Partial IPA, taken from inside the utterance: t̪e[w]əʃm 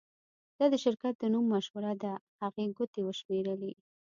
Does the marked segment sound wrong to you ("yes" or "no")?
no